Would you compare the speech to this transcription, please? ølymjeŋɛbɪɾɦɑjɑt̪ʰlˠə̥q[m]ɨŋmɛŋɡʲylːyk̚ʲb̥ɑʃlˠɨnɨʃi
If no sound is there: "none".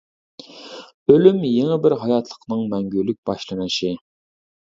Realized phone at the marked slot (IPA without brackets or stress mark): n